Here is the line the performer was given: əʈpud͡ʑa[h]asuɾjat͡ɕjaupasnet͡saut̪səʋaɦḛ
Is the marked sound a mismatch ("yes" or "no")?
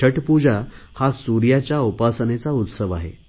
no